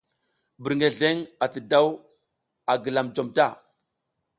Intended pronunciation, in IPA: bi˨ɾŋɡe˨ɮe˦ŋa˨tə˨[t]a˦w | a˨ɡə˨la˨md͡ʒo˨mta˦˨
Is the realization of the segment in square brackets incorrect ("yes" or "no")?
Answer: yes